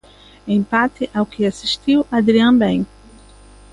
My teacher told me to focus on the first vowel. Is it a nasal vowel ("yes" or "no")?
yes